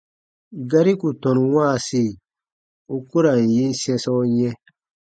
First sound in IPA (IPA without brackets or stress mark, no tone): ɡ